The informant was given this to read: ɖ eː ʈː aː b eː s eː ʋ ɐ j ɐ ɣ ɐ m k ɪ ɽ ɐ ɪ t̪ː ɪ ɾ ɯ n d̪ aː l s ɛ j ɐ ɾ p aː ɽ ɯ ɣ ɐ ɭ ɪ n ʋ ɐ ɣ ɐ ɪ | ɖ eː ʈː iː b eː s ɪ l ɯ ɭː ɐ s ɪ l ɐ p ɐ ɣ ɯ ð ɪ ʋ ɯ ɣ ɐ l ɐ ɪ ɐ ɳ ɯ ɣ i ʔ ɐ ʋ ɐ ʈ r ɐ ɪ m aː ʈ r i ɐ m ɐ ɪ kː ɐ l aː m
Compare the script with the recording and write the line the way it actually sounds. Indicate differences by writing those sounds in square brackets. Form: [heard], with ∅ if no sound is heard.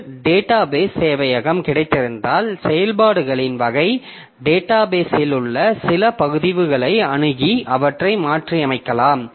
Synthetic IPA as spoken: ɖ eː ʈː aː b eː s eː ʋ ɐ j ɐ ɣ ɐ m k ɪ ɽ ɐ ɪ t̪ː ɪ ɾ ɯ n d̪ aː l s ɛ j ɐ [l] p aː ɽ ɯ ɣ ɐ ɭ ɪ n ʋ ɐ ɣ ɐ ɪ | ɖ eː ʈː [aː] b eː s ɪ l ɯ ɭː ɐ s ɪ l ɐ p ɐ ɣ ɯ ð ɪ ʋ ɯ ɣ ɐ [ɭ] ɐ ɪ ɐ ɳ ɯ ɣ i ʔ ɐ ʋ ɐ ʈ r ɐ ɪ m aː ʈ r i ɐ m ɐ ɪ kː ɐ l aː m